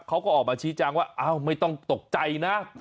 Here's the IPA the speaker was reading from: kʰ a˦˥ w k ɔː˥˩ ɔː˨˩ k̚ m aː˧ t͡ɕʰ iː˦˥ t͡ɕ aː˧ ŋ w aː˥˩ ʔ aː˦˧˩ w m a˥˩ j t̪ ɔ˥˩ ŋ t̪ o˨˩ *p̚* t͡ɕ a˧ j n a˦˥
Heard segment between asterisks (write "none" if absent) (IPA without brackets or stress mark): k̚